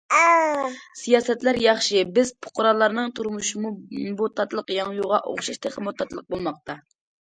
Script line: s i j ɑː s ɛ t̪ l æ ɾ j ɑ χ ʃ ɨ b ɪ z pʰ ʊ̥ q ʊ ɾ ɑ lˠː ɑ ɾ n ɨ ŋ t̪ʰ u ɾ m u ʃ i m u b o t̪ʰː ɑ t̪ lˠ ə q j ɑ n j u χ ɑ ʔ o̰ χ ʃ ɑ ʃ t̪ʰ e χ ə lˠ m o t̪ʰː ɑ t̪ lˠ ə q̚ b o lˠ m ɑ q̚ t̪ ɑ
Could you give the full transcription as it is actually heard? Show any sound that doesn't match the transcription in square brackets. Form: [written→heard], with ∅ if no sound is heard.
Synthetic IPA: s i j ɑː s ɛ t̪ l æ ɾ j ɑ χ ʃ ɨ b ɪ z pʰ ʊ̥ q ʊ ɾ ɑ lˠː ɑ ɾ n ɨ ŋ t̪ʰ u ɾ m u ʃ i m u b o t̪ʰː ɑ t̪ lˠ ə q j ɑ [n→ŋ] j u [χ→ʁ] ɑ ʔ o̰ χ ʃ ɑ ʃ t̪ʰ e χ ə [lˠ→∅] m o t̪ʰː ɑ t̪ lˠ ə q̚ b o lˠ m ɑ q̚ t̪ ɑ